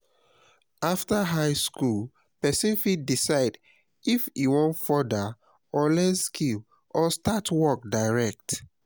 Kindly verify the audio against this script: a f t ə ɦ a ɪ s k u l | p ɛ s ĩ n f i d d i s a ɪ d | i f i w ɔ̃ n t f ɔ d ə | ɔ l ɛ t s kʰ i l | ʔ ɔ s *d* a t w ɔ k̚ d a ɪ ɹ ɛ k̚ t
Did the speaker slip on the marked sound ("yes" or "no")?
yes